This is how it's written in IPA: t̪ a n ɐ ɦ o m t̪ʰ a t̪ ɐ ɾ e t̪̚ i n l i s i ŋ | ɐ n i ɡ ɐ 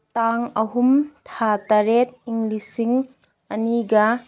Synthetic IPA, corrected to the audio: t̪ a ŋ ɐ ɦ u m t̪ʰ a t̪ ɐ ɾ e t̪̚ i ŋ l i s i ŋ | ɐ n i ɡ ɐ